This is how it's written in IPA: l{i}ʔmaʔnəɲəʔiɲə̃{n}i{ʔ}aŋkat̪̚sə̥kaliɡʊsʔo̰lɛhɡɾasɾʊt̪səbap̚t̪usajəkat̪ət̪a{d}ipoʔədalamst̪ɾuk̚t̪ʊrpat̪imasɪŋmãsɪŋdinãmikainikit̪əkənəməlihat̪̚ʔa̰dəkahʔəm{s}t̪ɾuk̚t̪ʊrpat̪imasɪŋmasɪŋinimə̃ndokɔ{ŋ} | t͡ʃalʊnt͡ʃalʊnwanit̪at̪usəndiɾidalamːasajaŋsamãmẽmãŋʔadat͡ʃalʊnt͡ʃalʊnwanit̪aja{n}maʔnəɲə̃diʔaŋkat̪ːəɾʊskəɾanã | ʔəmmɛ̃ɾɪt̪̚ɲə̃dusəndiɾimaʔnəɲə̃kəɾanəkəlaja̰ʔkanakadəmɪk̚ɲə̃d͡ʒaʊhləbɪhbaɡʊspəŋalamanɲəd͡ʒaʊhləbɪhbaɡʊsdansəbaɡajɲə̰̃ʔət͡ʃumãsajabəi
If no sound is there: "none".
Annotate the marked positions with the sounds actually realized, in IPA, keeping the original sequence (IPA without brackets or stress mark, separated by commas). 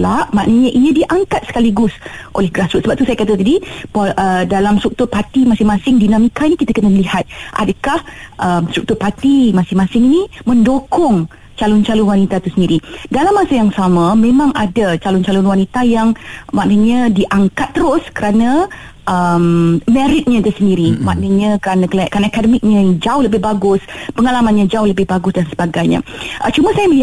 a, d, ʔ, d, s, ŋ, ŋ